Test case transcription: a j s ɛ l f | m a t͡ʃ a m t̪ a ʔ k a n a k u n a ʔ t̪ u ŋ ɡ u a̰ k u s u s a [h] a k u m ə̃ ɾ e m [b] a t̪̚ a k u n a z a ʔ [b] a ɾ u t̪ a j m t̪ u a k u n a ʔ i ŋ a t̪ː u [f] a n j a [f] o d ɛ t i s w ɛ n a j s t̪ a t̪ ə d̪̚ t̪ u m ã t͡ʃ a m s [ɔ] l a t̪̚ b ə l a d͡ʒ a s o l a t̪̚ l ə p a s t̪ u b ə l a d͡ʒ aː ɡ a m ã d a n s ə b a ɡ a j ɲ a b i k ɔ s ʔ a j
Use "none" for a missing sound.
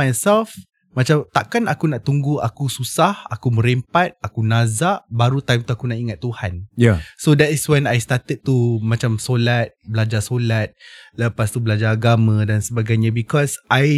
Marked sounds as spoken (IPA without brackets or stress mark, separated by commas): h, p, b, h, s, o